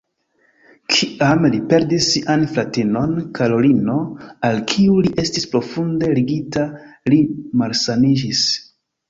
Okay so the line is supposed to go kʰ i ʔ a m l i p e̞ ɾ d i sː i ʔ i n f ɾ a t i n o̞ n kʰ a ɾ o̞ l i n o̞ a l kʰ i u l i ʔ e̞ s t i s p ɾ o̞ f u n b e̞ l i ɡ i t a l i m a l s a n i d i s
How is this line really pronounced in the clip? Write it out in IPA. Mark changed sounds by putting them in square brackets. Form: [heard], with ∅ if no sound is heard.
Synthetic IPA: kʰ i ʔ a m l i p e̞ ɾ d i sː i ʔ [a] n f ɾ a t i n o̞ n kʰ a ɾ o̞ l i n o̞ a l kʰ i u l i ʔ e̞ s t i s p ɾ o̞ f u n [d] e̞ l i ɡ i t a l i m a l s a n i [d͡ʒ] i s

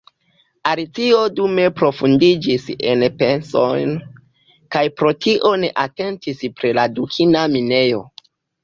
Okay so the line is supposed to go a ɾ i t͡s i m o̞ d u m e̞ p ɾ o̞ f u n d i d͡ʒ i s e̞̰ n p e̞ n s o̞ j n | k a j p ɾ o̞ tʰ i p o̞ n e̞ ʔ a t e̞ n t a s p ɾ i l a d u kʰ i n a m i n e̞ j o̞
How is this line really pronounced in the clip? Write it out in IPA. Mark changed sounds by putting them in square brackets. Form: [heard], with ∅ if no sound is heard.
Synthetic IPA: a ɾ i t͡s i [∅] o̞ d u m e̞ p ɾ o̞ f u n d i d͡ʒ i s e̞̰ n p e̞ n s o̞ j n | k a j p ɾ o̞ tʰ i [ʔ] o̞ n e̞ ʔ a t e̞ n t [i] s p ɾ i l a d u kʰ i n a m i n e̞ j o̞

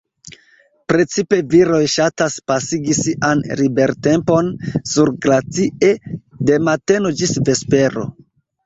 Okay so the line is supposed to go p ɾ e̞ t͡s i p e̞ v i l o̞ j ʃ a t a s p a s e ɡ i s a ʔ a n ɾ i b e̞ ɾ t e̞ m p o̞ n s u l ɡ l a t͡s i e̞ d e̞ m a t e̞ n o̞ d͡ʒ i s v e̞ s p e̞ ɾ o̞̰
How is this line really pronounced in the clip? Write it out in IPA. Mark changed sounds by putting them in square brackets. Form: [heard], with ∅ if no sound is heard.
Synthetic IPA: p ɾ e̞ t͡s i p e̞ v i [ɾ] o̞ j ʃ a t a s p a s [i] ɡ i s [i] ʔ a n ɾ i b e̞ ɾ t e̞ m p o̞ n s u [ɾ] ɡ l a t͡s i e̞ d e̞ m a t e̞ n o̞ d͡ʒ i s v e̞ s p e̞ ɾ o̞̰

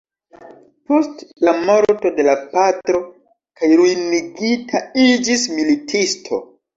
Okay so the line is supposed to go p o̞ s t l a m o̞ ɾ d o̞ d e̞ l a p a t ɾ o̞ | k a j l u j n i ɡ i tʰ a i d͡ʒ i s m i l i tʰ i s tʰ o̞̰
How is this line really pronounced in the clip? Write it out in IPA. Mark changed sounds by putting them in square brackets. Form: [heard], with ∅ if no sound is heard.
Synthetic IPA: p o̞ s t l a m o̞ ɾ [t] o̞ d e̞ l a p a t ɾ o̞ | k a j [ɾ] u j n i ɡ i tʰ a i d͡ʒ i s m i l i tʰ i s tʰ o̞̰

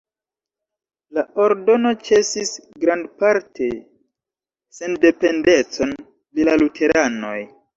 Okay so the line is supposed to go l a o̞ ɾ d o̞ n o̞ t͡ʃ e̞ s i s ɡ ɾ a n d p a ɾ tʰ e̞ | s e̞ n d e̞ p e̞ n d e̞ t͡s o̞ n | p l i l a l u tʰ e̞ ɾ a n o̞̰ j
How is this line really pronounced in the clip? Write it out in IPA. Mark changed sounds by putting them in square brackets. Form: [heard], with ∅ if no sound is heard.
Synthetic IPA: l a o̞ ɾ d o̞ n o̞ t͡ʃ e̞ s i s ɡ ɾ a n d p a ɾ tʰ e̞ | s e̞ n d e̞ p e̞ n d e̞ t͡s o̞ n | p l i l a l u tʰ e̞ ɾ a n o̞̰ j

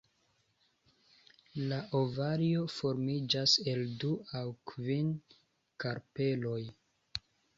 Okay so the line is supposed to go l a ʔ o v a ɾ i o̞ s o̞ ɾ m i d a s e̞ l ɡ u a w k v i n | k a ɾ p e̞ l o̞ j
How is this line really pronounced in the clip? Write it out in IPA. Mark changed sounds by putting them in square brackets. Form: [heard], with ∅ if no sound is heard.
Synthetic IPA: l a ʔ o v a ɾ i o̞ [f] o̞ ɾ m i [d͡ʒ] a s e̞ l [d] u a w k v i n | k a ɾ p e̞ l o̞ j

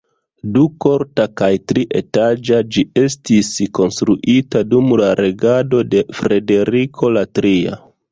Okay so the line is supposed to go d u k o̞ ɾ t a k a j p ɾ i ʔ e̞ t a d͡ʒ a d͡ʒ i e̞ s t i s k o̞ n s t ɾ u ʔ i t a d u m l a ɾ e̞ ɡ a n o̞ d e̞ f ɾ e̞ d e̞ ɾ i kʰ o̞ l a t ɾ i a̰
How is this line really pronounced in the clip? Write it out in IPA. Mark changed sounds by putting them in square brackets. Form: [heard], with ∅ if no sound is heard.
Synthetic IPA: d u k o̞ ɾ t a k a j [t] ɾ i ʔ e̞ t a d͡ʒ a d͡ʒ i e̞ s t i s k o̞ n s t ɾ u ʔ i t a d u m l a ɾ e̞ ɡ a [d] o̞ d e̞ f ɾ e̞ d e̞ ɾ i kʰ o̞ l a t ɾ i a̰

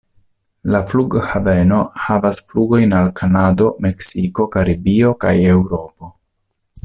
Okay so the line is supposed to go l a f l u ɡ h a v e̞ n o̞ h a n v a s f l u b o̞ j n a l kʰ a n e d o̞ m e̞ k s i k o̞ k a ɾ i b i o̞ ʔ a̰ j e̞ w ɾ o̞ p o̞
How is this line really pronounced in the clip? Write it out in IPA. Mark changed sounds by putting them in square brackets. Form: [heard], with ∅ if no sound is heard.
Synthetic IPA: l a f l u ɡ h a v e̞ n o̞ h a [∅] v a s f l u [ɡ] o̞ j n a l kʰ a n [a] d o̞ m e̞ k s i k o̞ k a ɾ i b i o̞ [k] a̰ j e̞ w ɾ o̞ p o̞

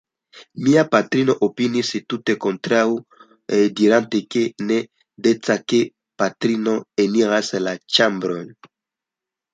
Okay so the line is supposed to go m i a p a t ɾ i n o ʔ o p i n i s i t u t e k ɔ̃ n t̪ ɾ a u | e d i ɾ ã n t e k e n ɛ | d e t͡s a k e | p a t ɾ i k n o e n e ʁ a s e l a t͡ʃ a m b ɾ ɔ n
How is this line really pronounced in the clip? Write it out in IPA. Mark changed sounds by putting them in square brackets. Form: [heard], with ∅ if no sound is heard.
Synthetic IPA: m i a p a t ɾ i n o ʔ o p i n i s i t u t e k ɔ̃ n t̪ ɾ a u | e d i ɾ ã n t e k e n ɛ | d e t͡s a k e | p a t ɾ i [∅] n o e n [i] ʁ a s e l a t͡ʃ a m b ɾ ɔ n

